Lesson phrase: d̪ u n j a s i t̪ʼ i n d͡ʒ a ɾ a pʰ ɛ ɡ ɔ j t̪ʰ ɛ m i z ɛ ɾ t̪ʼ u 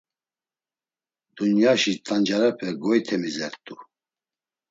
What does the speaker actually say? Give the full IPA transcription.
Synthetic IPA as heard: d̪ u n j a ʃ i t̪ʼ a n d͡ʒ a ɾ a pʰ ɛ ɡ ɔ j t̪ʰ ɛ m i z ɛ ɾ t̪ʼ u